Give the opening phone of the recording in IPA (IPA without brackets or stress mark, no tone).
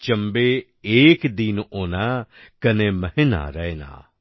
t͡ʃ